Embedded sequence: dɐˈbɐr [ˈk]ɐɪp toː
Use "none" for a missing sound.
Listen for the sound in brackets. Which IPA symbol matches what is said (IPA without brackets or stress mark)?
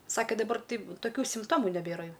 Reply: t